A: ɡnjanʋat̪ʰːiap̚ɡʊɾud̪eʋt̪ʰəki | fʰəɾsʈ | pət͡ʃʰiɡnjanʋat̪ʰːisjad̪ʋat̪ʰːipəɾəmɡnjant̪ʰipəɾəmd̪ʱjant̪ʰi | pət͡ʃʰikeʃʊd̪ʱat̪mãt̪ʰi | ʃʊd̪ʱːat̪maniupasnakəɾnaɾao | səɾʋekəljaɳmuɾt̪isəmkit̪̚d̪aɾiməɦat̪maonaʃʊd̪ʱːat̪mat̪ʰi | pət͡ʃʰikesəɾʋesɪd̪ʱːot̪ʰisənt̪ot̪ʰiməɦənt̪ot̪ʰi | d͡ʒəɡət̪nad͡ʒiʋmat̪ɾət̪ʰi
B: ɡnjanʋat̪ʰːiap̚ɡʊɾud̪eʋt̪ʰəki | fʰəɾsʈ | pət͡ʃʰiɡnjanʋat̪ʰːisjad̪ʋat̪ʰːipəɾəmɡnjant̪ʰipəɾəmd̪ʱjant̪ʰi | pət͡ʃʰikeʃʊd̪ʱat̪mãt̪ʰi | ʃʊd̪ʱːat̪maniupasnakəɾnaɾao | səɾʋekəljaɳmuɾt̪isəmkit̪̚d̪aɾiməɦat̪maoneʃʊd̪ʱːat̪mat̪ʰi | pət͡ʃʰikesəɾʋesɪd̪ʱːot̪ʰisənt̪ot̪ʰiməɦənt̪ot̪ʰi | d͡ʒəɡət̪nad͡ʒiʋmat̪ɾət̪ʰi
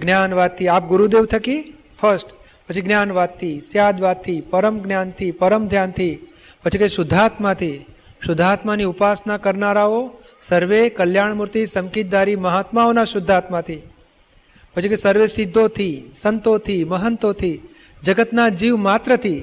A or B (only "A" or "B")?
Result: A